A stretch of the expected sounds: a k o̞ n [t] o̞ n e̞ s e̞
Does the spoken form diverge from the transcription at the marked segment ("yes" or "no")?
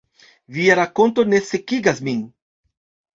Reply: no